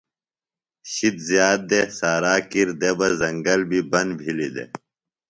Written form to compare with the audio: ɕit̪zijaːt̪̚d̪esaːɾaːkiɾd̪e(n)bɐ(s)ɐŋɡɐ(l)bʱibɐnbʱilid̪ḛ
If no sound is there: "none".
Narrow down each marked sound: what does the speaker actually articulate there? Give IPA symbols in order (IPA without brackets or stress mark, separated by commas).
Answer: none, z, l